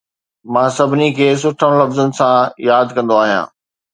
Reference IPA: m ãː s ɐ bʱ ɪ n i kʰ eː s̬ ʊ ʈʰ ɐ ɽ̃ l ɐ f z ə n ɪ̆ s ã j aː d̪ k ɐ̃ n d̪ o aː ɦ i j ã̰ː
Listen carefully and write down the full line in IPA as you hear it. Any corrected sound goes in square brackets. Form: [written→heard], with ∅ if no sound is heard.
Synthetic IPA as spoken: m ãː s ɐ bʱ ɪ n i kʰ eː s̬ ʊ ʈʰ [ɐ→ə] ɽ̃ l ɐ f z ə n ɪ̆ s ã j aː d̪ k ɐ̃ n d̪ o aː ɦ i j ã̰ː